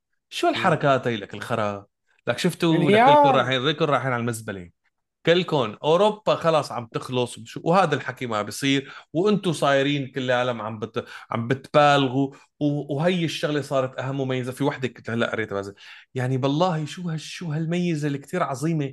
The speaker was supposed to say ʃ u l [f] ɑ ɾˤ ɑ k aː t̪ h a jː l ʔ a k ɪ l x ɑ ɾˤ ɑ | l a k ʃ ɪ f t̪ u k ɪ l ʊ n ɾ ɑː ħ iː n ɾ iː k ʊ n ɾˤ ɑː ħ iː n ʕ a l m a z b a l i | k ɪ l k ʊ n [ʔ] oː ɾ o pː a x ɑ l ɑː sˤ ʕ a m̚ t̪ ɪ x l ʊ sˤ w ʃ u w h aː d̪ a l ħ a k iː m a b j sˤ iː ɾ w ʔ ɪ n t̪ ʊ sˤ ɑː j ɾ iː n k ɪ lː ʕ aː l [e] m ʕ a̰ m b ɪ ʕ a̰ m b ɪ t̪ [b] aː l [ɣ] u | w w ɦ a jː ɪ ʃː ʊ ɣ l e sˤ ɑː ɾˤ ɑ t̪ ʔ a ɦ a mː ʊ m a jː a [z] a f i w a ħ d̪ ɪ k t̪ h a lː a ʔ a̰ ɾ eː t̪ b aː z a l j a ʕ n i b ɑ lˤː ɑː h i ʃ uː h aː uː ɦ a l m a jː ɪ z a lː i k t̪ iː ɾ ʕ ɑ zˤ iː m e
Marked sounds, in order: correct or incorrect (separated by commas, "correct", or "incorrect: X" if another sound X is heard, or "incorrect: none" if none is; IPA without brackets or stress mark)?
incorrect: ħ, correct, incorrect: a, correct, correct, correct